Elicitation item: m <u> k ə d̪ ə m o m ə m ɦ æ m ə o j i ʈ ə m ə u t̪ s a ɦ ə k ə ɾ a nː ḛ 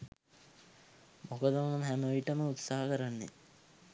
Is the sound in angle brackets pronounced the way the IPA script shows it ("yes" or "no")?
no